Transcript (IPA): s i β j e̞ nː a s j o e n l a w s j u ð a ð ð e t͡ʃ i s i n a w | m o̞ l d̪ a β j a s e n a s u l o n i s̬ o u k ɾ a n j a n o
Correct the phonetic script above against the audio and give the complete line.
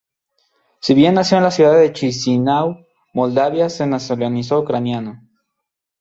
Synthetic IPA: s i β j e̞ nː a s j o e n l a s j u ð a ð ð e t͡ʃ i s i n a w | m o̞ l d̪ a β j a s e n a s o l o n i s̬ o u k ɾ a n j a n o